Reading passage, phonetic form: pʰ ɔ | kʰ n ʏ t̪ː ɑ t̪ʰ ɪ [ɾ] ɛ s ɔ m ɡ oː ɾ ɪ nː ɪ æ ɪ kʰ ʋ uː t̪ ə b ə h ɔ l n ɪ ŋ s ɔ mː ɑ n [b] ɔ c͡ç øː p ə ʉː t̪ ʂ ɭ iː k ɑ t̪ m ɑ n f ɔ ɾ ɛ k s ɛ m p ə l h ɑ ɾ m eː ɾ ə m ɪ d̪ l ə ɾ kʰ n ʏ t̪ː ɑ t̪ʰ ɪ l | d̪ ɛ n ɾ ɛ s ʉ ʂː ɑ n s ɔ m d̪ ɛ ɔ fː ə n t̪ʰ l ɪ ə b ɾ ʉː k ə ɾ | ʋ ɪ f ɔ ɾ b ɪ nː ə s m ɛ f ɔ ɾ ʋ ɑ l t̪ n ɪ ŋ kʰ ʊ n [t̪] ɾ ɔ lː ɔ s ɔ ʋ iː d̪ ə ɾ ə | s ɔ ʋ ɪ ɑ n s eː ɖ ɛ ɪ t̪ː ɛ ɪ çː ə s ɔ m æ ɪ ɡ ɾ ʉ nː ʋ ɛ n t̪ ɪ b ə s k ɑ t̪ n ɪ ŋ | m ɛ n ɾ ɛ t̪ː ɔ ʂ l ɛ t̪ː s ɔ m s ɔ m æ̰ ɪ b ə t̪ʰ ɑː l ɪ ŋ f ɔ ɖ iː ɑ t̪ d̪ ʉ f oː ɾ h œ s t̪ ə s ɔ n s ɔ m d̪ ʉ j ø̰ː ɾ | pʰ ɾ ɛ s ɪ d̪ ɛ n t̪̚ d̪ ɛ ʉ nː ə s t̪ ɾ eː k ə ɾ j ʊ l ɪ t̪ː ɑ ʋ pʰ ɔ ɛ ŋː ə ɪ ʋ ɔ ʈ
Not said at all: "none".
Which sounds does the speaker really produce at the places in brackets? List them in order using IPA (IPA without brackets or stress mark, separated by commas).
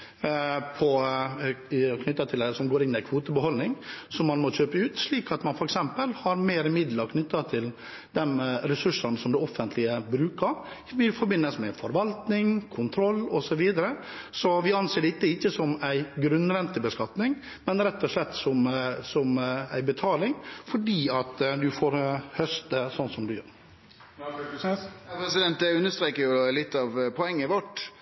l, m, t̪ʰ